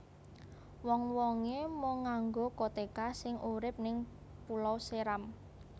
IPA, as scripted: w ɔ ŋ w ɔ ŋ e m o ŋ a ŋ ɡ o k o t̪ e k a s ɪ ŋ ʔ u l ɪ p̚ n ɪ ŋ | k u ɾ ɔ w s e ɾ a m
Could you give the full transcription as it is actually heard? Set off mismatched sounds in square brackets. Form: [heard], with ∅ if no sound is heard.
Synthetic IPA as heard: w ɔ ŋ w ɔ ŋ e m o ŋ a ŋ ɡ o k o t̪ e k a s ɪ ŋ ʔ u [ɾ] ɪ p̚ n ɪ ŋ | [p] u [l] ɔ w s e ɾ a m